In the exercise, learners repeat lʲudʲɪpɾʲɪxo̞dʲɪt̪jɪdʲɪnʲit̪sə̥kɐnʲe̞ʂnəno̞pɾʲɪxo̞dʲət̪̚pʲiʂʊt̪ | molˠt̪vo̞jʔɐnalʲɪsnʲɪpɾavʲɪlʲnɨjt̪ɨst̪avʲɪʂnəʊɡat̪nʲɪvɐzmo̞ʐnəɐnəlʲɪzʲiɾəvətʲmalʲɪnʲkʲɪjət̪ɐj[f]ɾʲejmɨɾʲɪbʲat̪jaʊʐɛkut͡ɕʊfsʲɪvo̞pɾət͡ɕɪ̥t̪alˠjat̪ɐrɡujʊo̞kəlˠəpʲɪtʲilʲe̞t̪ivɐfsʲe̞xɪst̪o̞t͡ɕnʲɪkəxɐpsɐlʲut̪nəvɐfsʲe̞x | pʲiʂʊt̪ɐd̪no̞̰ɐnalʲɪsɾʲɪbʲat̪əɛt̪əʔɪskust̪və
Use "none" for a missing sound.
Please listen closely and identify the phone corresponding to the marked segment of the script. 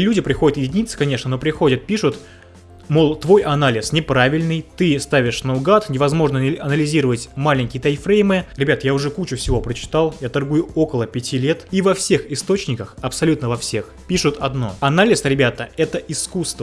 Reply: f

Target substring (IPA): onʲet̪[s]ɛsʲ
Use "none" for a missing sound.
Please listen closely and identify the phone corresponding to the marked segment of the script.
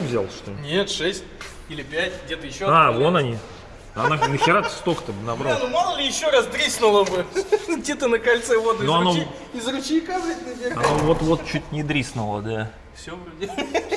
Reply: ʂ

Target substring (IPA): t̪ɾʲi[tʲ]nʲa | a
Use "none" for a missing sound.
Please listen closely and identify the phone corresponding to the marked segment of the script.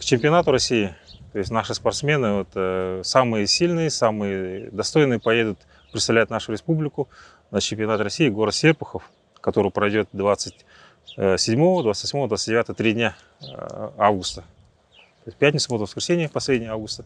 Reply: dʲ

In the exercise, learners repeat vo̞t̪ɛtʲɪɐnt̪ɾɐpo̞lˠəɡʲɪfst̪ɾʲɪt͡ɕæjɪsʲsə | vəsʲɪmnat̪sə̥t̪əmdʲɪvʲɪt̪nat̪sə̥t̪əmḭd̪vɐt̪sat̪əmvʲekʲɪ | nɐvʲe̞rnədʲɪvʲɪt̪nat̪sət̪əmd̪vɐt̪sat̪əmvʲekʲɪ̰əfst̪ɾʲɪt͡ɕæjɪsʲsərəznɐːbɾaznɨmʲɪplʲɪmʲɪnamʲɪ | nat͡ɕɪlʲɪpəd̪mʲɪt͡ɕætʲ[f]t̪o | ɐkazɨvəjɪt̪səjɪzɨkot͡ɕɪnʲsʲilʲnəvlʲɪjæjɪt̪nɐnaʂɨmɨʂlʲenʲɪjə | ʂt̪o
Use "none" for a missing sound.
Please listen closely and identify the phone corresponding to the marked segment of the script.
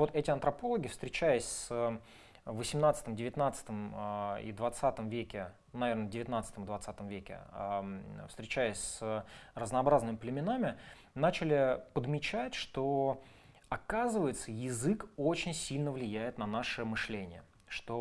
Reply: ʂ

